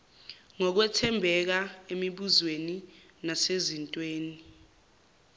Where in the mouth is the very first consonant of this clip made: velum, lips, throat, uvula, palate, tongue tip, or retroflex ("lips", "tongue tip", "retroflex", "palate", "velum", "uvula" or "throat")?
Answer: velum